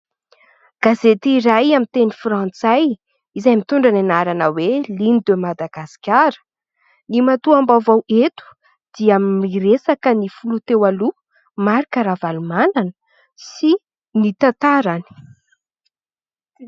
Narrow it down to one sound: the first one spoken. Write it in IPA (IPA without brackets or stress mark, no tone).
ɡ̥